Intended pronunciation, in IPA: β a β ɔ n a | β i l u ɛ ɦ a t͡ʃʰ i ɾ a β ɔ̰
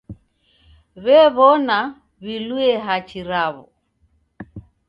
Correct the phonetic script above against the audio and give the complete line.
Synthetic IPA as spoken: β ɛ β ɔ n a | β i l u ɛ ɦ a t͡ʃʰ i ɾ a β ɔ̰